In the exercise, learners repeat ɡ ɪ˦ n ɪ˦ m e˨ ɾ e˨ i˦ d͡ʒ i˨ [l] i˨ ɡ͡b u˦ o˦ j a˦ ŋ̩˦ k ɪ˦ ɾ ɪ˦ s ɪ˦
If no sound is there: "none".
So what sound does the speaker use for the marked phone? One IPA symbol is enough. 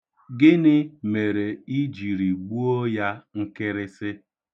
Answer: ɾ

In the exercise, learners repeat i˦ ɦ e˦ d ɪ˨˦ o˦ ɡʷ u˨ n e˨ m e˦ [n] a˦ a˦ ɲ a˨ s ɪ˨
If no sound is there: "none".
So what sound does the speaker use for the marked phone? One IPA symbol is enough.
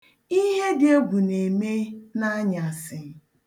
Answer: n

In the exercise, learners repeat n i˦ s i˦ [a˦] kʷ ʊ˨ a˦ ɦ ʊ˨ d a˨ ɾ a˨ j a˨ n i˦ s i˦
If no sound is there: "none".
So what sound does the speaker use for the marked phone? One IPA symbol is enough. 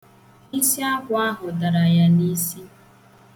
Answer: a˦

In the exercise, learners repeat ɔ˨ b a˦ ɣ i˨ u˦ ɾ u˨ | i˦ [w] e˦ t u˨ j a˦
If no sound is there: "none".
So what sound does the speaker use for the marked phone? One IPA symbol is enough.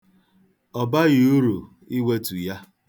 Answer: w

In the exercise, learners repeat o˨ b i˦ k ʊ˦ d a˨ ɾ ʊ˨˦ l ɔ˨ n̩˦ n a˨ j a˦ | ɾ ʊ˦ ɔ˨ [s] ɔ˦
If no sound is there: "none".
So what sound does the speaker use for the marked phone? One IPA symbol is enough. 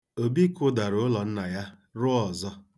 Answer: z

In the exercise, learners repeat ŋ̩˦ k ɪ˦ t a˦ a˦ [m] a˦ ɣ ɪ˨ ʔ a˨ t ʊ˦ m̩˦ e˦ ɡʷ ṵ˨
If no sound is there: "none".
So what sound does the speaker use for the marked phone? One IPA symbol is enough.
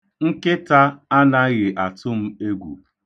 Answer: n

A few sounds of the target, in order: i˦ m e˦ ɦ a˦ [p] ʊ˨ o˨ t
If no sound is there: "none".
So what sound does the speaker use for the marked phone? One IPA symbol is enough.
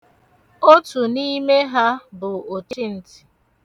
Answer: b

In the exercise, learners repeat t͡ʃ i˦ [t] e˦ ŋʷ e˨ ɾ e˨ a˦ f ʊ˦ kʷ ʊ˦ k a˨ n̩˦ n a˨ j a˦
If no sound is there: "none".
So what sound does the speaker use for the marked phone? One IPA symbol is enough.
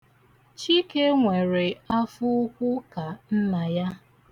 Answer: k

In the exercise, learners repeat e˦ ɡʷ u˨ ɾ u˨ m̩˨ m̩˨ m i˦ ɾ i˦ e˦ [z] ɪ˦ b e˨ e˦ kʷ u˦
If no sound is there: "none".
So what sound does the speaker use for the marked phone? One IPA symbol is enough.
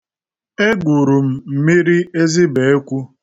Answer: z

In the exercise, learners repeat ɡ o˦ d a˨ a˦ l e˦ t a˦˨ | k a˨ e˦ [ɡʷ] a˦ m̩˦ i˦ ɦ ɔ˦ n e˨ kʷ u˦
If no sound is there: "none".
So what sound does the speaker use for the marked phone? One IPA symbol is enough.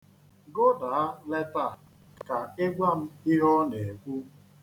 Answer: ɡʷ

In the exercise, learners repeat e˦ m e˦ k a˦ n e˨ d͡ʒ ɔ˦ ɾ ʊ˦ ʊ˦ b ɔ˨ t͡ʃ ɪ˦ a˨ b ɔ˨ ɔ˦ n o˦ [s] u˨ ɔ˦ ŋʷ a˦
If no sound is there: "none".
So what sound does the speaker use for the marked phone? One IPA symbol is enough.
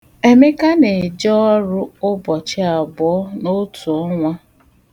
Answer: t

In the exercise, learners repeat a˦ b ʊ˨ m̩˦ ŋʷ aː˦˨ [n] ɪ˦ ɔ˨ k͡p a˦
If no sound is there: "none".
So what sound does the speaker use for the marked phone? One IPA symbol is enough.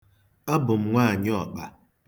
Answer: ɲ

